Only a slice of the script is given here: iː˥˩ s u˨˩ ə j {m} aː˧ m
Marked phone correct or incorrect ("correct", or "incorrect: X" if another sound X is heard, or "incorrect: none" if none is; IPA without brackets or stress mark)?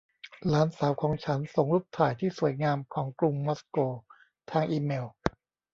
incorrect: ŋ